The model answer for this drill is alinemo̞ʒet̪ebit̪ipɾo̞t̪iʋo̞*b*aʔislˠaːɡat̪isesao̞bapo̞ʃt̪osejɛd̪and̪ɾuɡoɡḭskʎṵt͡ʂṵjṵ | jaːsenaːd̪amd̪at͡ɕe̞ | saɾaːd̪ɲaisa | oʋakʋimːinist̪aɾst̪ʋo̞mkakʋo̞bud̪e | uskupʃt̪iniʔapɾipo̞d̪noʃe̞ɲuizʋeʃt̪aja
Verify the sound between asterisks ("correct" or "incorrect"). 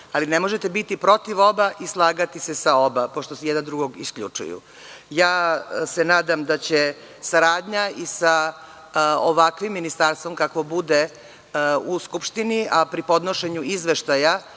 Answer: correct